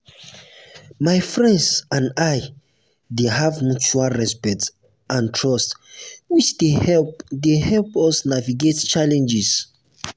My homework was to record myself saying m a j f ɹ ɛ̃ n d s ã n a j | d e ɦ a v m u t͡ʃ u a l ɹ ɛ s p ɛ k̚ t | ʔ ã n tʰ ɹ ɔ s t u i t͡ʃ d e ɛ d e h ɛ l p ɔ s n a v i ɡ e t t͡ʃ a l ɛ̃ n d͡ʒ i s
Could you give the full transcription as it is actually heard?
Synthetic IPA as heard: m a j f ɹ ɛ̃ n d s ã n a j | d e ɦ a v m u t͡ʃ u a l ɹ ɛ s p ɛ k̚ t | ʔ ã n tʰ ɹ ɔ s t w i t͡ʃ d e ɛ d e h ɛ l p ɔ s n a v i ɡ e t t͡ʃ a l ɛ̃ n d͡ʒ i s